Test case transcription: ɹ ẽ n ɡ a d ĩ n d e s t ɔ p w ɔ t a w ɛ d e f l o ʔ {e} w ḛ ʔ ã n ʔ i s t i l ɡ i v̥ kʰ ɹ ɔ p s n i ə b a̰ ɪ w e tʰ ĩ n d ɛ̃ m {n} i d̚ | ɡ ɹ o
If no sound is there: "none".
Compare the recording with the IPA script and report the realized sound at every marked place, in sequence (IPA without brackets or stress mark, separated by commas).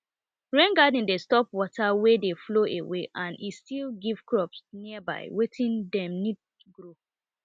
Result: e, n